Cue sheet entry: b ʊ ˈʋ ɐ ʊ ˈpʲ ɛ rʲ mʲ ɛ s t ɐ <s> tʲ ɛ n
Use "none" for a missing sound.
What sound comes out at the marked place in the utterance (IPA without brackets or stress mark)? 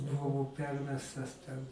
s